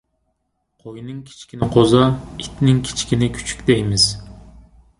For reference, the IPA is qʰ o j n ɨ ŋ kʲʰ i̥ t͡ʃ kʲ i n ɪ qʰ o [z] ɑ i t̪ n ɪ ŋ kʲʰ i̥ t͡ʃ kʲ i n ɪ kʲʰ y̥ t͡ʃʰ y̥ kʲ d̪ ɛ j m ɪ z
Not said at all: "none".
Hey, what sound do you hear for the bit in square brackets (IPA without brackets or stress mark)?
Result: z